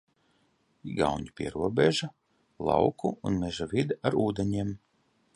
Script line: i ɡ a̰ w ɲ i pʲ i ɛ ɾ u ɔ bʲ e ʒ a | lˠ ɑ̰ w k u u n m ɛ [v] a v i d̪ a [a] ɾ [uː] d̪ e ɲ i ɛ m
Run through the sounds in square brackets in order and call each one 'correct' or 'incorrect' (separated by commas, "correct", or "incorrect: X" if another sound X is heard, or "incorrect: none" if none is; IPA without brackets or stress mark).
incorrect: ʒ, correct, correct